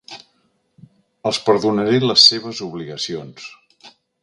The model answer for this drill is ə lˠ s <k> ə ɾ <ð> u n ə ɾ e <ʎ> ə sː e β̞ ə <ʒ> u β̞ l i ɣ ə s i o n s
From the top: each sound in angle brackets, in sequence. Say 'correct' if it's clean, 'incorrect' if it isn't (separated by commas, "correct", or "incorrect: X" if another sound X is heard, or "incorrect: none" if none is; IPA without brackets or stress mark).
incorrect: p, correct, incorrect: l, incorrect: z